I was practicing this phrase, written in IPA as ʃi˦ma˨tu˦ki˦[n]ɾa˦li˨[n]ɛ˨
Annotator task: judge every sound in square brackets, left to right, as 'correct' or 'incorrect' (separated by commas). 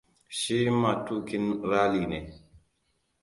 correct, correct